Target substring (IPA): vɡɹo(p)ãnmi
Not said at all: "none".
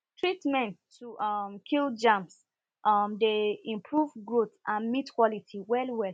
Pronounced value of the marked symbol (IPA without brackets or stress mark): t